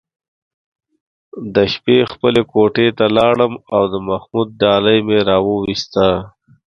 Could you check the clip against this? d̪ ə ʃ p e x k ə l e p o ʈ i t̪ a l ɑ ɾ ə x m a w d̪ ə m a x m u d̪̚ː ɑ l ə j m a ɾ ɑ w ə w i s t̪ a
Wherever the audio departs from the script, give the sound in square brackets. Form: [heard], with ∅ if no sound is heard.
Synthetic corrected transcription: d̪ ə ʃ p e x [p] ə l e [k] o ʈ [e] t̪ a l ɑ [ɽ] ə [∅] m a w d̪ ə m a x m u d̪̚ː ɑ l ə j m [e] ɾ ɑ w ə w i s t̪ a